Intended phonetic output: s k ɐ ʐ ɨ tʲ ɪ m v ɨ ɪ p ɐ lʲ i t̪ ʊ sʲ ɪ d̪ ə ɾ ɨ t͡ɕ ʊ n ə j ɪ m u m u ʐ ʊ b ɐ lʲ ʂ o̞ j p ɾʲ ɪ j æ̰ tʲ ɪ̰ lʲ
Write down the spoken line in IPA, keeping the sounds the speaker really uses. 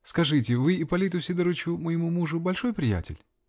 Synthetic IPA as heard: s k ɐ ʐ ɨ tʲ ɪ v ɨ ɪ p ɐ lʲ i t̪ ʊ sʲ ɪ d̪ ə ɾ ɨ t͡ɕ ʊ m ə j ɪ m u m u ʐ ʊ b ɐ lʲ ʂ o̞ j p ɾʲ ɪ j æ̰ tʲ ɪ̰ lʲ